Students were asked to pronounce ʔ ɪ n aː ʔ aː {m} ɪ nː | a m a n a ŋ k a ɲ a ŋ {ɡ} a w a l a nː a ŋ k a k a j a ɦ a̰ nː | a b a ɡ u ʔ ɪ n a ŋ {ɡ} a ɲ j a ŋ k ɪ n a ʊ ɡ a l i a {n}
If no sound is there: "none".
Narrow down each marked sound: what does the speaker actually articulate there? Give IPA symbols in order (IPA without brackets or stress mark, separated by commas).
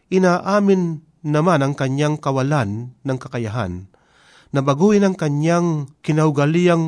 m, k, k, ŋ